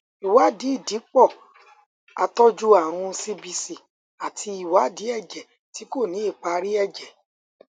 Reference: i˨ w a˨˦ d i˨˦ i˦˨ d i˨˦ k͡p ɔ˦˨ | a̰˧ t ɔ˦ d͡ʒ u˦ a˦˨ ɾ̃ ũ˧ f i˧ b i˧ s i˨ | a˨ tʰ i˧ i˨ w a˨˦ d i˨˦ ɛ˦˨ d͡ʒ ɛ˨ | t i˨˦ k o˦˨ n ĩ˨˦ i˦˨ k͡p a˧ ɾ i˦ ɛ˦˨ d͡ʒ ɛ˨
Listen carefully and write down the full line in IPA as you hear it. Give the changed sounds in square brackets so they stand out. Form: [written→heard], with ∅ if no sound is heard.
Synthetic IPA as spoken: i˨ w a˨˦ d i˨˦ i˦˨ d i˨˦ k͡p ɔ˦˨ | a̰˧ t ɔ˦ d͡ʒ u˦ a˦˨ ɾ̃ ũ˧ [f→s] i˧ b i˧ s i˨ | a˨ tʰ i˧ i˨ w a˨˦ d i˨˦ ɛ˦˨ d͡ʒ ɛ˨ | t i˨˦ k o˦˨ n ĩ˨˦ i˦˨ k͡p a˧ ɾ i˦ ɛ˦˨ d͡ʒ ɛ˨

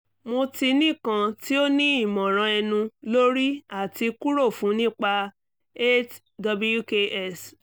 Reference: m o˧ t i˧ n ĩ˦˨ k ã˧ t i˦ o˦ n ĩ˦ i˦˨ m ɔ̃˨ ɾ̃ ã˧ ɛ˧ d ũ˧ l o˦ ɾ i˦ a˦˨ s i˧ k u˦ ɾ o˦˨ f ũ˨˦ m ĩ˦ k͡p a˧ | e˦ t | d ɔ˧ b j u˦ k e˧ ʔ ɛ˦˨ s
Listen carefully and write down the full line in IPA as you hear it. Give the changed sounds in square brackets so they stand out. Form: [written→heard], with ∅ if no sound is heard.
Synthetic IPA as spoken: m o˧ t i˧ n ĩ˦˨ k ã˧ t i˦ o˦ n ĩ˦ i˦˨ m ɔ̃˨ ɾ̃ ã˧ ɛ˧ [d→n] ũ˧ l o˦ ɾ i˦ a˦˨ [s→t] i˧ k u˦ ɾ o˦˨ f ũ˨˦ [m→n] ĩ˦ k͡p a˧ | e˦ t | d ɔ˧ b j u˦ k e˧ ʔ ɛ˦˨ s

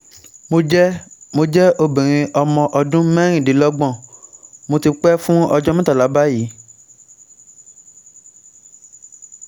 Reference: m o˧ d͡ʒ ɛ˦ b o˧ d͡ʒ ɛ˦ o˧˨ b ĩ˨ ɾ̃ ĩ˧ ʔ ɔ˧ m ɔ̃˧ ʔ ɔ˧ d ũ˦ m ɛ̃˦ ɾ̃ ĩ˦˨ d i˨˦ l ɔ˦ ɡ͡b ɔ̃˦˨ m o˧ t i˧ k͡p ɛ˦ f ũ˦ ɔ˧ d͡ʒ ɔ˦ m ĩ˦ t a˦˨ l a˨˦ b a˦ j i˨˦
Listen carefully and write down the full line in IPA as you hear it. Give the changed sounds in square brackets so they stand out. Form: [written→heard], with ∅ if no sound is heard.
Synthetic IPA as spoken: m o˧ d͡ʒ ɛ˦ [b→m] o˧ d͡ʒ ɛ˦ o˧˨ b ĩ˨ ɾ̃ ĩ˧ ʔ ɔ˧ m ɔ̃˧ ʔ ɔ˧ d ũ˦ m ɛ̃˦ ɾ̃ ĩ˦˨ d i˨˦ l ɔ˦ ɡ͡b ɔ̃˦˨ m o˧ t i˧ k͡p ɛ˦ f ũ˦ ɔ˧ d͡ʒ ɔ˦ m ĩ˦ t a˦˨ l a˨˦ b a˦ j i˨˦

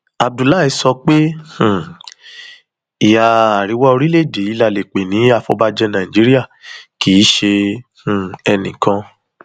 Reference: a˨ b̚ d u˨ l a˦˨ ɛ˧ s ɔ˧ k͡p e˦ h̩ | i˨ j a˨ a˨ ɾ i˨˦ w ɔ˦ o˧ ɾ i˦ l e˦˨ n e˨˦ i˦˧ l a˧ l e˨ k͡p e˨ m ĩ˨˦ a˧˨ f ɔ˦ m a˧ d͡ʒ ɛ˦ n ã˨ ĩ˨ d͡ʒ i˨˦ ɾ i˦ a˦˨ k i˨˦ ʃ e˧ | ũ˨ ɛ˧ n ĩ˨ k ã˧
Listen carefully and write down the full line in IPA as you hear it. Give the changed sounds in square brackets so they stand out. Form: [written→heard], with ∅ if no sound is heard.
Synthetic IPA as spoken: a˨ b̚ d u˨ l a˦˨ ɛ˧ s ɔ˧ k͡p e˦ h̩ | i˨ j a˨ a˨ ɾ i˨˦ w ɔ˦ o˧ ɾ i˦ l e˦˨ [n→d] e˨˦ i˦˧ l a˧ l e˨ k͡p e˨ [m→n] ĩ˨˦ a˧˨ f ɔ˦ [m→b] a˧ d͡ʒ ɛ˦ n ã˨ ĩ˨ d͡ʒ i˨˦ ɾ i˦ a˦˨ k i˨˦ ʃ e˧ | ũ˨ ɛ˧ n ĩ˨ k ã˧

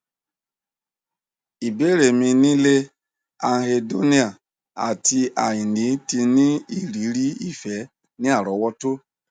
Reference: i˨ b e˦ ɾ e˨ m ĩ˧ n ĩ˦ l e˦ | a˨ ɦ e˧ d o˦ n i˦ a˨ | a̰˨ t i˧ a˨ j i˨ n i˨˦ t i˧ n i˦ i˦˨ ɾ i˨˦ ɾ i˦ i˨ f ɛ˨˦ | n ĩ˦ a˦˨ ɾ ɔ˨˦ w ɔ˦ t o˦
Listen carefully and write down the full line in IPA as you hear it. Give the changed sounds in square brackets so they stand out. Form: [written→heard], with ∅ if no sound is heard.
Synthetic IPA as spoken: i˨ b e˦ ɾ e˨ m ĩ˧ n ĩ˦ l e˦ | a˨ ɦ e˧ d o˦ n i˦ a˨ | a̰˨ t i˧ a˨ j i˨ n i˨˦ t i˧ n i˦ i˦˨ ɾ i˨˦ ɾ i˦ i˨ f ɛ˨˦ | n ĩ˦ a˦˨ ɾ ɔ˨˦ w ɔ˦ t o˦

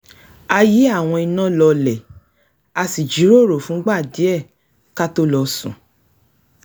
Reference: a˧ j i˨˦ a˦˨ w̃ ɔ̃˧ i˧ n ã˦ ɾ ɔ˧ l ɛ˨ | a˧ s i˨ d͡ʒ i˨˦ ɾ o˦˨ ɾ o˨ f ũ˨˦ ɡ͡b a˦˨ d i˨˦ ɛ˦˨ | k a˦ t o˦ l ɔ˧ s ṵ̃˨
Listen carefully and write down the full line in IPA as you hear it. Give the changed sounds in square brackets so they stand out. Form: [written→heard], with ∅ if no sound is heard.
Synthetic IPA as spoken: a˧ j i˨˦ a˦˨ w̃ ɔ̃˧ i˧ n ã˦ [ɾ→l] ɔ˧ l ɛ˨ | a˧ s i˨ d͡ʒ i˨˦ ɾ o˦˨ ɾ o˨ f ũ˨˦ ɡ͡b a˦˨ d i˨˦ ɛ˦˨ | k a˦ t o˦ l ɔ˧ s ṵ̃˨

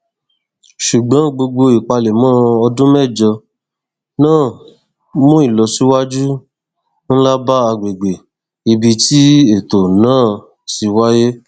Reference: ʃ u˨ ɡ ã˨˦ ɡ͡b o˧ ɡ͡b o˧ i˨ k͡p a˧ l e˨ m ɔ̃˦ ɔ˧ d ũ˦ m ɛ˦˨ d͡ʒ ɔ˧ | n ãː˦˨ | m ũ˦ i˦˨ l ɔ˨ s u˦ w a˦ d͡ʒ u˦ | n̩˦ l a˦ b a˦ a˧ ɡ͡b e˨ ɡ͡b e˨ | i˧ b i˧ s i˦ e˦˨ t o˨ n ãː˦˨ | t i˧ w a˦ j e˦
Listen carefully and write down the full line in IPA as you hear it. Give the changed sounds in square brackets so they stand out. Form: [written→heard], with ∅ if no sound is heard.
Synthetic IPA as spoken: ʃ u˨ [ɡ→ɡ͡b] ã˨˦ ɡ͡b o˧ ɡ͡b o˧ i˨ k͡p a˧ l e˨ m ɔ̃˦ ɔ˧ d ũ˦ m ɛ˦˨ d͡ʒ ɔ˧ | n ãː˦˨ | m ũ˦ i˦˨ l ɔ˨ s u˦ w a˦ d͡ʒ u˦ | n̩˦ l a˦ b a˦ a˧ ɡ͡b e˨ ɡ͡b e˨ | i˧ b i˧ [s→t] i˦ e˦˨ t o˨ n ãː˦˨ | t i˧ w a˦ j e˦

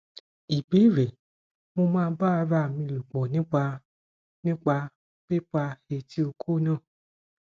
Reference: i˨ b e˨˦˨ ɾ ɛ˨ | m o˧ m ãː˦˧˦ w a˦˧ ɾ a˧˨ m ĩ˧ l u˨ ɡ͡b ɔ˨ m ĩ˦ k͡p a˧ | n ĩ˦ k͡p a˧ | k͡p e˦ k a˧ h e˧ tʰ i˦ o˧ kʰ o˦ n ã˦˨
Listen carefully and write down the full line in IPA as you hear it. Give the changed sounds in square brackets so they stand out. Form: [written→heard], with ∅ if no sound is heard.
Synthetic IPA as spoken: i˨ b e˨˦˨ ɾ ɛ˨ | m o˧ m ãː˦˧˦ [w→b] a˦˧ ɾ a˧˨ m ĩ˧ l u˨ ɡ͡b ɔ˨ [m→n] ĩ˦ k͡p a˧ | n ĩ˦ k͡p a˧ | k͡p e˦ [k→k͡p] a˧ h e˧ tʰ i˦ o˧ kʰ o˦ n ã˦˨

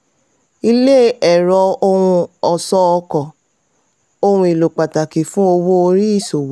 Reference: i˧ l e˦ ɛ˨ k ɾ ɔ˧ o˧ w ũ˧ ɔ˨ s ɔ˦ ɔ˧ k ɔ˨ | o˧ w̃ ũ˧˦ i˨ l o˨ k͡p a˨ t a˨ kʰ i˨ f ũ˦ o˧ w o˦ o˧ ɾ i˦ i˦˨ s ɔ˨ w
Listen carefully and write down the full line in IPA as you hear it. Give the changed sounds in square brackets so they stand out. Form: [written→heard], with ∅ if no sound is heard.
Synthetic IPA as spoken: i˧ l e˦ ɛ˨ [k→∅] ɾ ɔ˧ o˧ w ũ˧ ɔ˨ s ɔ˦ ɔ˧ k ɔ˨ | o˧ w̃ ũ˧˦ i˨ l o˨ k͡p a˨ t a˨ [kʰ→k] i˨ f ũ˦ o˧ w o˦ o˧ ɾ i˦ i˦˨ s [ɔ˨→o˨] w

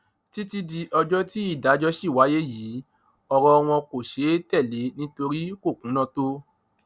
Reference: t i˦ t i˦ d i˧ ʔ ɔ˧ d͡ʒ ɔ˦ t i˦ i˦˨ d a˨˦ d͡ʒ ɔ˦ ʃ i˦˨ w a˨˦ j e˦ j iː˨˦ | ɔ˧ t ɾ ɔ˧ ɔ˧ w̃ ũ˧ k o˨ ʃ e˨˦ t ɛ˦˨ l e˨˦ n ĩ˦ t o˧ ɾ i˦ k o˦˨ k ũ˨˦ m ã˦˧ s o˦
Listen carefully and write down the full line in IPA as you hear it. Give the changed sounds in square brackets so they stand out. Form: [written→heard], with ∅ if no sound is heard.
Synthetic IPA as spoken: t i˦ t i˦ d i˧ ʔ ɔ˧ d͡ʒ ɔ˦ t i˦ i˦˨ d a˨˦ d͡ʒ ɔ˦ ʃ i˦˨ w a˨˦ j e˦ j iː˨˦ | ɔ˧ [t→∅] ɾ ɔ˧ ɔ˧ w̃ [ũ˧→ɔ̃˧] k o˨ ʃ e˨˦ t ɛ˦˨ l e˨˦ n ĩ˦ t o˧ ɾ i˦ k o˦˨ k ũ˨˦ [m→n] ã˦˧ [s→t] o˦

